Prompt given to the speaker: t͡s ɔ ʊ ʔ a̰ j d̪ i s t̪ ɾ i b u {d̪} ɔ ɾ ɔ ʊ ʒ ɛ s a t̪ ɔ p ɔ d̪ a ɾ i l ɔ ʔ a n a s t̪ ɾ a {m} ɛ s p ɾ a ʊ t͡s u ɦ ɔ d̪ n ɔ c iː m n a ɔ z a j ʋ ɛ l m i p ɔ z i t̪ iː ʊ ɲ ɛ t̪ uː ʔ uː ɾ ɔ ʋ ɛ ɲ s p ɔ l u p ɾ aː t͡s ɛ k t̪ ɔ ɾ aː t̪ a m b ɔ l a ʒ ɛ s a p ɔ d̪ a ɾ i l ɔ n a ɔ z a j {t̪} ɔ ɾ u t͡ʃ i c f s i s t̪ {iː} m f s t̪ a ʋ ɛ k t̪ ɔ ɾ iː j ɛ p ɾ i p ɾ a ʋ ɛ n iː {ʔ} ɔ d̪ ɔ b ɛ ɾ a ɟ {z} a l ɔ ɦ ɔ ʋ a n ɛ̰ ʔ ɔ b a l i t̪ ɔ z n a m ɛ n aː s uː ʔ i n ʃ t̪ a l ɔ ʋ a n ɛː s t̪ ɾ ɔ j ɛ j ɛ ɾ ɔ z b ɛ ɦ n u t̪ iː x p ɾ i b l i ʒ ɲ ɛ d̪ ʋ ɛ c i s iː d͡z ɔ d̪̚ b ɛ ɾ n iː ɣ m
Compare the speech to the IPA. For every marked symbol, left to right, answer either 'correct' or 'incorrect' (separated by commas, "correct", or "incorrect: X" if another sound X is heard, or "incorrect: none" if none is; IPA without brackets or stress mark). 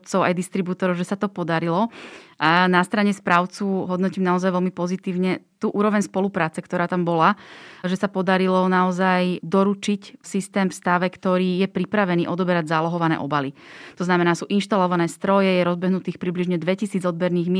incorrect: t̪, incorrect: ɲ, incorrect: d̪, incorrect: ɛː, correct, correct